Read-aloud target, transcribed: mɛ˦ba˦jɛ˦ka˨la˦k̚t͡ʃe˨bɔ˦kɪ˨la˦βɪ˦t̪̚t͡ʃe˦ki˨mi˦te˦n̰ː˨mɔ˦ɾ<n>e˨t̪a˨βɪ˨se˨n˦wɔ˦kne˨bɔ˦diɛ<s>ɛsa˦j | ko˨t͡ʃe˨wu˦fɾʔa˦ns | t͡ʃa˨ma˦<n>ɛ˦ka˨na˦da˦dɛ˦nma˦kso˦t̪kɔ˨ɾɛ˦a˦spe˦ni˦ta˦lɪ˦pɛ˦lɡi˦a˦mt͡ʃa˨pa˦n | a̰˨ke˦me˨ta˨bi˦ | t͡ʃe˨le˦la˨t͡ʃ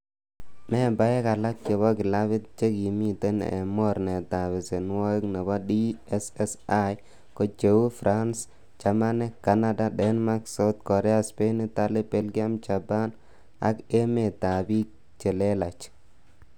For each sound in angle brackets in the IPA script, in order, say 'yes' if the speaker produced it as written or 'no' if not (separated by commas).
yes, yes, yes